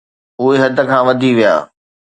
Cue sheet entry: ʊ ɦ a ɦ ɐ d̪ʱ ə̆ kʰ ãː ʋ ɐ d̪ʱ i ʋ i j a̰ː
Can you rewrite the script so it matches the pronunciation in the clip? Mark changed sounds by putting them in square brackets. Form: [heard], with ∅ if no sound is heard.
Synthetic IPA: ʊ ɦ [e] ɦ ɐ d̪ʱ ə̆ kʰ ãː ʋ ɐ d̪ʱ i ʋ i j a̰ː